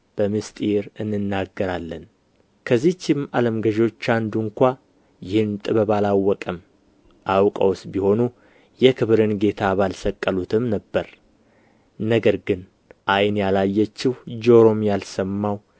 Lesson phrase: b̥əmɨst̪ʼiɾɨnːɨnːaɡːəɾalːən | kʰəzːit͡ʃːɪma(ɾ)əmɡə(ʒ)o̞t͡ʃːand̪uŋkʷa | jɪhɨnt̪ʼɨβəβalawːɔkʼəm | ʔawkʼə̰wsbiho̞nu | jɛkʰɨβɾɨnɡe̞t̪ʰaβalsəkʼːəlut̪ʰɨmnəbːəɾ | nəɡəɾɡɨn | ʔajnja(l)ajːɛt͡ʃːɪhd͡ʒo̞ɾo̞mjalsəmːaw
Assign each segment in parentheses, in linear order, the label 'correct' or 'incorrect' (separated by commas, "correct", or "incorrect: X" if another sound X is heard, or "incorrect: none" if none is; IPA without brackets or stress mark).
incorrect: l, correct, correct